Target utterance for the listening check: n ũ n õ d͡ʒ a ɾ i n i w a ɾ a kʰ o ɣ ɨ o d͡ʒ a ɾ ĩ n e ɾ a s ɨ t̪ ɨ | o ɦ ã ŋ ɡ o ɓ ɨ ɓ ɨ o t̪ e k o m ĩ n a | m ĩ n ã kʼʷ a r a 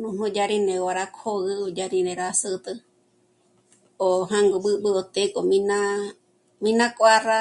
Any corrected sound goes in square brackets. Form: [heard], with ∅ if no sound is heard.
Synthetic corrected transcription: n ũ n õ d͡ʒ a ɾ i n [e] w a ɾ a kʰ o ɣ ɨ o d͡ʒ a ɾ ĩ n e ɾ a s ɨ t̪ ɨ | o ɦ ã ŋ ɡ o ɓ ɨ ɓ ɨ o t̪ e k o m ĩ n a | m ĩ n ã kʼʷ a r a